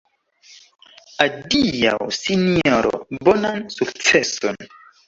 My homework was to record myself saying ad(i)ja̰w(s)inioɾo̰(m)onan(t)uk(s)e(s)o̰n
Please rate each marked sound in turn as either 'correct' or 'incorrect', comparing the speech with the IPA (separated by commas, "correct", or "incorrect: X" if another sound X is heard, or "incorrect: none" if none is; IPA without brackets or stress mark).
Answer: correct, correct, incorrect: b, incorrect: s, incorrect: t͡s, correct